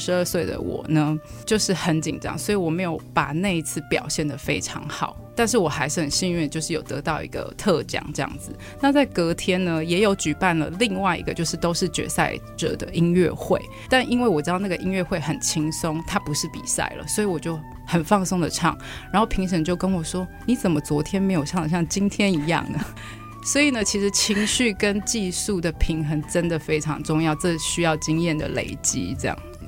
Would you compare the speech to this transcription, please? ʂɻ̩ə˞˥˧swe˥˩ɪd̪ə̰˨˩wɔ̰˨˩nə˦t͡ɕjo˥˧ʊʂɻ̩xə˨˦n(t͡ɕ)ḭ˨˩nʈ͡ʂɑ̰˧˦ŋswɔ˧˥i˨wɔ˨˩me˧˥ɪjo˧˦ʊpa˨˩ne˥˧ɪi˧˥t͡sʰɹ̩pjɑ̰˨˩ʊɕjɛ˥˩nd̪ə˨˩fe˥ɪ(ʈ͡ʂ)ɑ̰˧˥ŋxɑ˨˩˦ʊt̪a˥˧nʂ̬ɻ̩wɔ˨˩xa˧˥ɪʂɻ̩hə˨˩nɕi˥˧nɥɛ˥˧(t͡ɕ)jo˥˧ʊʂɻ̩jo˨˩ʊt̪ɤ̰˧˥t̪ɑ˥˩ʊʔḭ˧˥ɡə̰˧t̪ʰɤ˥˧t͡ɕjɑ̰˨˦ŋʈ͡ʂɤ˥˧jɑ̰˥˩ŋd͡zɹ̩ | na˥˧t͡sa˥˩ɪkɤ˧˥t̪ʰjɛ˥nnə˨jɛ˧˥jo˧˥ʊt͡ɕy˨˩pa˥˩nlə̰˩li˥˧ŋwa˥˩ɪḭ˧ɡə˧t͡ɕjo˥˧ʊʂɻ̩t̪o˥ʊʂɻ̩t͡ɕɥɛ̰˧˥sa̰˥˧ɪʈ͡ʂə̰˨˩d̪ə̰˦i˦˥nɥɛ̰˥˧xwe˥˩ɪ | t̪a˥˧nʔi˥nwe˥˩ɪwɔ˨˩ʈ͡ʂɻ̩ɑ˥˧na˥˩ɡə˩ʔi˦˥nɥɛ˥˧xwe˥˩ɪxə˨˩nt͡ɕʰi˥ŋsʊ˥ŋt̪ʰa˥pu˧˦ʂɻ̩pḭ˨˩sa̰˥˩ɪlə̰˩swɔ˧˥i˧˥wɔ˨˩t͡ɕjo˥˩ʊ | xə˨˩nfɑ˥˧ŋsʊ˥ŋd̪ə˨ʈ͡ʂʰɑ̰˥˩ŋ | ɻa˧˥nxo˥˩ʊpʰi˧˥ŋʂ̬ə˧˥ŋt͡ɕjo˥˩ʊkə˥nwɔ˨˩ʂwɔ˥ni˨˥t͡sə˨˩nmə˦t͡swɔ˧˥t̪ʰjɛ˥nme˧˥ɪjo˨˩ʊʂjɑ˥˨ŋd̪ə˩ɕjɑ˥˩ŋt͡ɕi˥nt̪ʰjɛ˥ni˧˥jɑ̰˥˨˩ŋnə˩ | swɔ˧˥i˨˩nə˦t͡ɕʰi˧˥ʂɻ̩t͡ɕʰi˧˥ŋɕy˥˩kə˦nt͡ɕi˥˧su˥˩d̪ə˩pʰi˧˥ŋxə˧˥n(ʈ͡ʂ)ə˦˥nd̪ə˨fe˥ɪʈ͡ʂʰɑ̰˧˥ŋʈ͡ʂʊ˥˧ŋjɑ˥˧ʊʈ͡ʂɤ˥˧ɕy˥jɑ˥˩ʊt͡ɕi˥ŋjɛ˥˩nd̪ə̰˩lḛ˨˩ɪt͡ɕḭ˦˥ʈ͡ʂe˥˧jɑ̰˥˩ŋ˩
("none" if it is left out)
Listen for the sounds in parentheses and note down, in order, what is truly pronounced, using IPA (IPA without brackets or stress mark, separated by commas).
t͡ɕ, ʈ͡ʂʰ, t͡ɕ, ʈ͡ʂ